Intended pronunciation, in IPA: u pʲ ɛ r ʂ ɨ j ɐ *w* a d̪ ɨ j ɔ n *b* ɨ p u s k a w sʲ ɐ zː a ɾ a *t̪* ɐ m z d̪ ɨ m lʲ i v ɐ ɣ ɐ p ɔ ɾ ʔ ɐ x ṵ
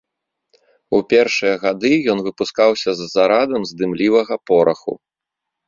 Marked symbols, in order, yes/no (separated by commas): no, no, no